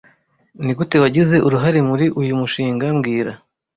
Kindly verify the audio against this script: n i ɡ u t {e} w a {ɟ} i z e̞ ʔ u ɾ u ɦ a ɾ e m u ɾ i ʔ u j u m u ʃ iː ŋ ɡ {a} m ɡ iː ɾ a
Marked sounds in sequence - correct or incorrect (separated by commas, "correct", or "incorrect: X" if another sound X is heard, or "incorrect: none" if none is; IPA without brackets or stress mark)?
correct, correct, correct